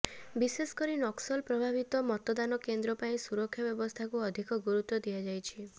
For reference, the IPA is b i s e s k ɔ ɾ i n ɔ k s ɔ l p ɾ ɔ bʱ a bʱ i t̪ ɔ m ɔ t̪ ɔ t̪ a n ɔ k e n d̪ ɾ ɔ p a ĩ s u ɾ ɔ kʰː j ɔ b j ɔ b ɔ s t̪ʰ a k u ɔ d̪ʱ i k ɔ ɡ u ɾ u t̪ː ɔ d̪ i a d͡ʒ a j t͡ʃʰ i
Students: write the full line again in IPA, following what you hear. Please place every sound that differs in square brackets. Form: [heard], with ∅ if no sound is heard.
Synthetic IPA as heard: b i s e s k ɔ ɾ i n ɔ k s ɔ l p ɾ ɔ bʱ a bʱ i t̪ ɔ m ɔ t̪ ɔ [d̪] a n ɔ k e n d̪ ɾ ɔ p a ĩ s u ɾ ɔ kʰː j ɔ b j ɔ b ɔ s t̪ʰ a k u ɔ d̪ʱ i k ɔ ɡ u ɾ u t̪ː ɔ d̪ i a d͡ʒ a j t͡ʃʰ i